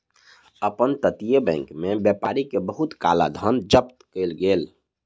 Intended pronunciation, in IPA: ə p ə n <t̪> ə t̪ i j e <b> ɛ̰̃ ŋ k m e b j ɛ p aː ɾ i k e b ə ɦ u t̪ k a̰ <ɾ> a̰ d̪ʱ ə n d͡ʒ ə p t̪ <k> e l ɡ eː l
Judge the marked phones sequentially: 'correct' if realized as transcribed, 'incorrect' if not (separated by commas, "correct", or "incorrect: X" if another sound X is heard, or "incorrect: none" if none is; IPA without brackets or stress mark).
correct, correct, incorrect: l, correct